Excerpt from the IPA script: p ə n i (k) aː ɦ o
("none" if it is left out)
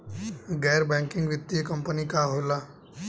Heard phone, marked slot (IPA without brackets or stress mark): k